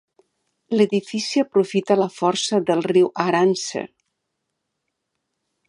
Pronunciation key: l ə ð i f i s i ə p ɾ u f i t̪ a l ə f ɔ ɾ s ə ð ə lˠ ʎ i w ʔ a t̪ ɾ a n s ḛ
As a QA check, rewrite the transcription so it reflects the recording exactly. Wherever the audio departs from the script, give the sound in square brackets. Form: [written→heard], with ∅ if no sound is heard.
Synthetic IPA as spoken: l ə ð i f i s i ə p ɾ u f i t̪ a l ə f ɔ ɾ s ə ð ə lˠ [ʎ→r] i w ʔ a [t̪→∅] ɾ a n s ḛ